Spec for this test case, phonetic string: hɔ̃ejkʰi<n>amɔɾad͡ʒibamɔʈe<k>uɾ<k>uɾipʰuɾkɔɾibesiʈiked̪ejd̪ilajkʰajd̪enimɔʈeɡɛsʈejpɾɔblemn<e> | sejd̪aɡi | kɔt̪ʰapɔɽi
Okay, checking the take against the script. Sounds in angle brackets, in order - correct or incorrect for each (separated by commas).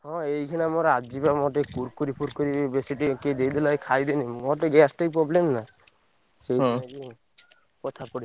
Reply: correct, correct, correct, incorrect